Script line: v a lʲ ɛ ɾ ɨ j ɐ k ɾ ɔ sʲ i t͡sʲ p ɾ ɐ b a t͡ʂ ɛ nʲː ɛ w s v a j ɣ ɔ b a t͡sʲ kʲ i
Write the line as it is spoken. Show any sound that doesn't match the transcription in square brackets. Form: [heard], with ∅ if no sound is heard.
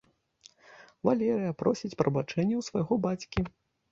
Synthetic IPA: v a lʲ ɛ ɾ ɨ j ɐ [p] ɾ ɔ sʲ i t͡sʲ p ɾ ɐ b a t͡ʂ ɛ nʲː ɛ w s v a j ɣ ɔ b a t͡sʲ kʲ i